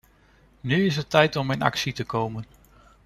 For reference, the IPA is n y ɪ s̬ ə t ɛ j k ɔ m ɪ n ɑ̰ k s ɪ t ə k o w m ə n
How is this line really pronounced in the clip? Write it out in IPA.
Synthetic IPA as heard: n y ɪ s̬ ə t ɛ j t ɔ m ɪ n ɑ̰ k s i t ə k o w m ə n